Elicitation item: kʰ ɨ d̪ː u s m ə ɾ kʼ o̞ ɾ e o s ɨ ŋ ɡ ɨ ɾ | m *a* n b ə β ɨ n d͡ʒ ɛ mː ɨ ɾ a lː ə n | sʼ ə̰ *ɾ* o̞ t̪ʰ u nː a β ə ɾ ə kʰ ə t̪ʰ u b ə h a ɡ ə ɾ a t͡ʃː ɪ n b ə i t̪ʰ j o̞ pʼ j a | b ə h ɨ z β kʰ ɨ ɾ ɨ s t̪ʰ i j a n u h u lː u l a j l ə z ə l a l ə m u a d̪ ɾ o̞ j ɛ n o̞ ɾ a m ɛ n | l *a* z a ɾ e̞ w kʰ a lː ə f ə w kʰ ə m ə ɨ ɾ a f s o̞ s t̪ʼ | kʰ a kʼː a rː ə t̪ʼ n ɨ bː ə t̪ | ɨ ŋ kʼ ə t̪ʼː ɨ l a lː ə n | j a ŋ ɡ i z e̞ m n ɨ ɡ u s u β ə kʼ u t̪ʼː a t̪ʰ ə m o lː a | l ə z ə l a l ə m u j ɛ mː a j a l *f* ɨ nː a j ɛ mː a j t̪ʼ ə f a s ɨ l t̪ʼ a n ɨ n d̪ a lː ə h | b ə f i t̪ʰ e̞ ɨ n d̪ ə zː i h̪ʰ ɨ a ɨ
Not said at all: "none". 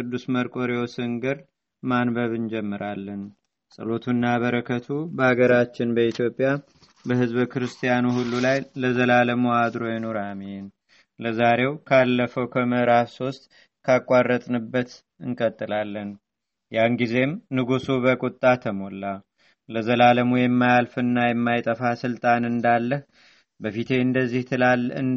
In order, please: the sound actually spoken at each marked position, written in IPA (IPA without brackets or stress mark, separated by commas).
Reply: a, l, ə, f